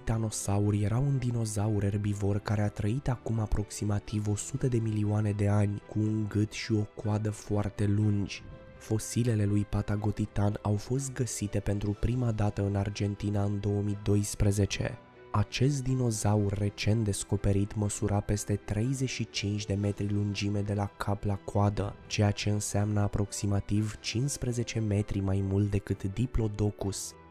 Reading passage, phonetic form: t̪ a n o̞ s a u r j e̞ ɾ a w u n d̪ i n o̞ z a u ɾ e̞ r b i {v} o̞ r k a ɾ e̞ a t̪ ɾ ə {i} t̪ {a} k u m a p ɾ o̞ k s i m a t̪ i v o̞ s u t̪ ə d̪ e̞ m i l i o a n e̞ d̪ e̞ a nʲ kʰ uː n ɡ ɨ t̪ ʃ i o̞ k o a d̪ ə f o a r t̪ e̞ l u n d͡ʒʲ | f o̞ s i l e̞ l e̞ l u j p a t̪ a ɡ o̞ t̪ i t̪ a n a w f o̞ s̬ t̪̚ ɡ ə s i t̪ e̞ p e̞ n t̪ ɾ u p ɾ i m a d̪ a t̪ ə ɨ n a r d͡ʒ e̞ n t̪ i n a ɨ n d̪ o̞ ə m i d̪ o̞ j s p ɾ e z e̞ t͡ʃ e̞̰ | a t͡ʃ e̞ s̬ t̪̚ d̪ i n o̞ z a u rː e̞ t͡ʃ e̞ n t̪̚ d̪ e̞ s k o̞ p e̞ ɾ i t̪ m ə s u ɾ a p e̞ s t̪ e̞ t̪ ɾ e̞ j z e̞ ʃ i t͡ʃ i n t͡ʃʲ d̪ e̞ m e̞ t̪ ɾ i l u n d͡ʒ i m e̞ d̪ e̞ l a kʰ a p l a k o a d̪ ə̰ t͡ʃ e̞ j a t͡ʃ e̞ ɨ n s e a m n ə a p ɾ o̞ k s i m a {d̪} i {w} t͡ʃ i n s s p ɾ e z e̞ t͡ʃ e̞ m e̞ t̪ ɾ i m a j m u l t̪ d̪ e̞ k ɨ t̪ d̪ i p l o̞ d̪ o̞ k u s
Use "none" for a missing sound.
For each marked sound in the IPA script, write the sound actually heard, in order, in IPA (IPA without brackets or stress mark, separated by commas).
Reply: v, i, a, t̪, v